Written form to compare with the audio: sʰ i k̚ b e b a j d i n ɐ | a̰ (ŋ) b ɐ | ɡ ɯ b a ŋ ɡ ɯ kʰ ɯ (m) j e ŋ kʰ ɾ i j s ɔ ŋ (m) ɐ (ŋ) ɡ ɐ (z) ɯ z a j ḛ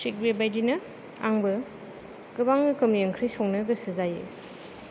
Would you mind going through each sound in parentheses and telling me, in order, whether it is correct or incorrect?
correct, correct, incorrect, incorrect, incorrect

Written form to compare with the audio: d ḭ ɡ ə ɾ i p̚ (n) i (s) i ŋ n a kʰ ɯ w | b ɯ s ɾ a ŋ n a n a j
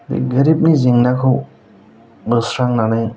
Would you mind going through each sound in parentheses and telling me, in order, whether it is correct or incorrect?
correct, incorrect

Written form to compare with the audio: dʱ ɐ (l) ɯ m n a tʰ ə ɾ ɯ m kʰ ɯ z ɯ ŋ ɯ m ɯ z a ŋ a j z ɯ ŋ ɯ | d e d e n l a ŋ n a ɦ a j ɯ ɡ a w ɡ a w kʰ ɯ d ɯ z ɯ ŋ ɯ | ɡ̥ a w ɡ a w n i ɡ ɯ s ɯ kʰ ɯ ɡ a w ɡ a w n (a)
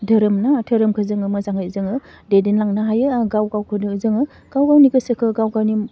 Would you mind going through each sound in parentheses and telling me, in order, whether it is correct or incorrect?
incorrect, incorrect

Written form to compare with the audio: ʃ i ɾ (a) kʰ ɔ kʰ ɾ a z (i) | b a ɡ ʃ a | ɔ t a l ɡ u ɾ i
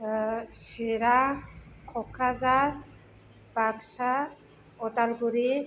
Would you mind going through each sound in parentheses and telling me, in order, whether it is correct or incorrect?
correct, incorrect

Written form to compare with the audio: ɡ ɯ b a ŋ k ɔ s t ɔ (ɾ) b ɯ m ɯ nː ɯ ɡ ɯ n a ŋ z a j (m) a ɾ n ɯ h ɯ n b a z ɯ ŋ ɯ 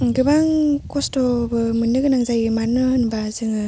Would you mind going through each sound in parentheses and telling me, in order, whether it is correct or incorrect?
incorrect, correct

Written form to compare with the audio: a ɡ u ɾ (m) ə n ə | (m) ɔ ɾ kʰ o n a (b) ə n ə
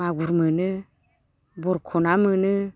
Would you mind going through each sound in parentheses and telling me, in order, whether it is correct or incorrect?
correct, incorrect, incorrect

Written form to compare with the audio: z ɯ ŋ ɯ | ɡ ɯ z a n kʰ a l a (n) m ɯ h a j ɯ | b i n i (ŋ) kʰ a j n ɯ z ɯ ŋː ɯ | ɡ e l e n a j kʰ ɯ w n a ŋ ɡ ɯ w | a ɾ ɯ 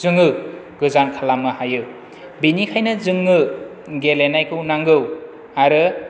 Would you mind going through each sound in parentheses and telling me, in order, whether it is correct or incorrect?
incorrect, incorrect

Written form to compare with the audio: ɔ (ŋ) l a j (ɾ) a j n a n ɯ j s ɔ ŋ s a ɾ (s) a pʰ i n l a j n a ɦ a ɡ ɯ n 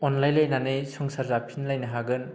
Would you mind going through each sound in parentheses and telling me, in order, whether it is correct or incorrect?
incorrect, incorrect, incorrect

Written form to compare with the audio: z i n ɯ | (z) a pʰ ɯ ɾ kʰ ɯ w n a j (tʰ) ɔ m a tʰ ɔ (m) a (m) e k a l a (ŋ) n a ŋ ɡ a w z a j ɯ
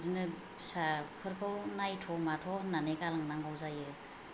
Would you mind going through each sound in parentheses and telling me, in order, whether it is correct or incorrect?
incorrect, correct, incorrect, incorrect, correct

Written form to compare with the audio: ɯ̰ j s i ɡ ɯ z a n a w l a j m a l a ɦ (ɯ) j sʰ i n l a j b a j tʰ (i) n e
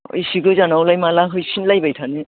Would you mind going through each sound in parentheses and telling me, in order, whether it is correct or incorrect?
correct, incorrect

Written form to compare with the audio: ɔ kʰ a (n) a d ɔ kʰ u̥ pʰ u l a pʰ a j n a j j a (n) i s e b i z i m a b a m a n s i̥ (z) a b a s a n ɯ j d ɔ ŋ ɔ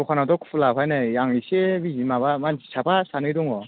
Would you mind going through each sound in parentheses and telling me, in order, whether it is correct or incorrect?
correct, incorrect, incorrect

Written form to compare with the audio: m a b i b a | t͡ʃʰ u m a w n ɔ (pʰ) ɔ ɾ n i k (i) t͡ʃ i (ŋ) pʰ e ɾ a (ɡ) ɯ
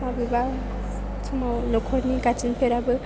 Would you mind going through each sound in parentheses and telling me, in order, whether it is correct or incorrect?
incorrect, incorrect, incorrect, incorrect

